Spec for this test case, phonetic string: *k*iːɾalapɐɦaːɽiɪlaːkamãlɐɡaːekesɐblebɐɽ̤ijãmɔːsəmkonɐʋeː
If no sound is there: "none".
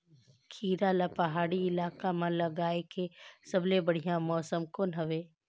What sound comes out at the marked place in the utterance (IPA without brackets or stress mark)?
kʰ